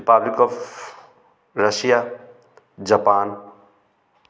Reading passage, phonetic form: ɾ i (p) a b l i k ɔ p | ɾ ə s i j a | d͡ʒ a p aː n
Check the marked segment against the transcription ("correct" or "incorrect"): correct